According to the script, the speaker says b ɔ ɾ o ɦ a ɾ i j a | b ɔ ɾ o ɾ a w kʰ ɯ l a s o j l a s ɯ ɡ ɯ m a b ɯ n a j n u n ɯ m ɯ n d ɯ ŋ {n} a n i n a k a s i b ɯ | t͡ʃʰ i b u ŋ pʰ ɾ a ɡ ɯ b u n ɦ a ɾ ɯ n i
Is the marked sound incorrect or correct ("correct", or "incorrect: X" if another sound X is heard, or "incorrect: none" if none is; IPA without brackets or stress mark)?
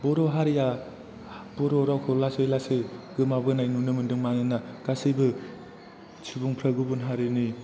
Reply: incorrect: m